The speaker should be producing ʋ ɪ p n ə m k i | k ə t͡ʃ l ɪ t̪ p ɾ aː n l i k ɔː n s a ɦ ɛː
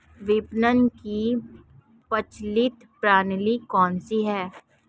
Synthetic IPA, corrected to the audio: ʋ ɪ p n ə n k i | p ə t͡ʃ l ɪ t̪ p ɾ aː n l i k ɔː n s i ɦ ɛː